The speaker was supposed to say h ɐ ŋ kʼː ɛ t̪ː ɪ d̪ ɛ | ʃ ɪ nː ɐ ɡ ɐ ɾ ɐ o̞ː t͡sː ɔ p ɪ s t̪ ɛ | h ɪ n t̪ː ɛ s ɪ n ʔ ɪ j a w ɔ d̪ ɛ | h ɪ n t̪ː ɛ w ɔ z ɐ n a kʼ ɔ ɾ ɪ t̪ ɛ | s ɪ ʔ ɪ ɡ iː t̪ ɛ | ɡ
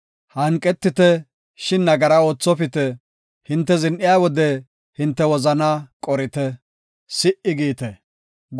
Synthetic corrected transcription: h ɐ ŋ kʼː ɛ t̪ː ɪ t̪ ɛ | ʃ ɪ nː ɐ ɡ ɐ ɾ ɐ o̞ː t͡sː ɔ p ɪ t̪ ɛ | h ɪ n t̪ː ɛ z ɪ n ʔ ɪ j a w ɔ d̪ ɛ | h ɪ n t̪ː ɛ w ɔ z ɐ n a kʼ ɔ ɾ ɪ t̪ ɛ | s ɪ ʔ ɪ ɡ iː t̪ ɛ | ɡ